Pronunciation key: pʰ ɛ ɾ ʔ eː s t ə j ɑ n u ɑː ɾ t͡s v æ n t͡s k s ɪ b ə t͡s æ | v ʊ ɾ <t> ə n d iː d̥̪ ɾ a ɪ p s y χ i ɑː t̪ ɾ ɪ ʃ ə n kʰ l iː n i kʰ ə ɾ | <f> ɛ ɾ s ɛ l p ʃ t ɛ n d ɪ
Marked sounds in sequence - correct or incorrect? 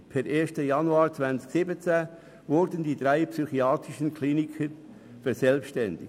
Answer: incorrect: d, correct

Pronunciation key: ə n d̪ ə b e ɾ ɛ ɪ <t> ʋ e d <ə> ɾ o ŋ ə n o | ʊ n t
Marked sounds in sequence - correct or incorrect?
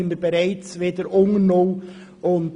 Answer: incorrect: t͡s, correct

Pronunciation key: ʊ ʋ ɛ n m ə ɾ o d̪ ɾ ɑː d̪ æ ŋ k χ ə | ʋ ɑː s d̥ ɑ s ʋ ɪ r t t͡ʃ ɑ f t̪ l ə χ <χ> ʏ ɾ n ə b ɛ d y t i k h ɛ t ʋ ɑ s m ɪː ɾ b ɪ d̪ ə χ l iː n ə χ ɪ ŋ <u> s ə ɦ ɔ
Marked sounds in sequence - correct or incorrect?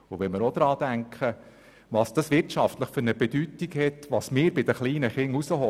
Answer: incorrect: f, correct

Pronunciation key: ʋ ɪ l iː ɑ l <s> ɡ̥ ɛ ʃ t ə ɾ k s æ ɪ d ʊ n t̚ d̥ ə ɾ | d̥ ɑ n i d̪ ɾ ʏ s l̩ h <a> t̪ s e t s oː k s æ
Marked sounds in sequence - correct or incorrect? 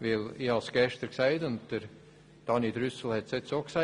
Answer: correct, incorrect: ɛ

